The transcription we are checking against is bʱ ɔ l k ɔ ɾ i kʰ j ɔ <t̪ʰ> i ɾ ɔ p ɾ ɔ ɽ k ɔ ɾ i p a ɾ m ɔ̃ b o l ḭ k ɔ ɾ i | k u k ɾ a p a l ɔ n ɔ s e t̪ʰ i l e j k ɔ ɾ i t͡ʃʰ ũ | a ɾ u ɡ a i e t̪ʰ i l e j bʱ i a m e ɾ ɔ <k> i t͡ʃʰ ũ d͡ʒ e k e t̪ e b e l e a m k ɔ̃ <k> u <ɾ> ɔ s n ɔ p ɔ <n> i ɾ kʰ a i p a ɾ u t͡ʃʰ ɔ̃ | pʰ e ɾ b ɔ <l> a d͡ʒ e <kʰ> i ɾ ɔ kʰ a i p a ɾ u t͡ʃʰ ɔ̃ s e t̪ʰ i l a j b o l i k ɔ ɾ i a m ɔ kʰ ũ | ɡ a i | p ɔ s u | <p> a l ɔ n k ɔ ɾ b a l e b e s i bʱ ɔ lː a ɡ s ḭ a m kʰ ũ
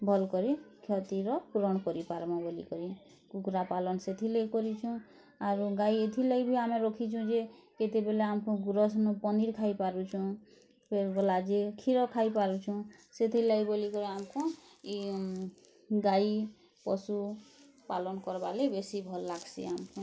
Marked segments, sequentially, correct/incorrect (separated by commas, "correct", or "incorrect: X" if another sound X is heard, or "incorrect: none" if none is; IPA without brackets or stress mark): incorrect: t̪, incorrect: kʰ, incorrect: ɡ, correct, correct, correct, correct, correct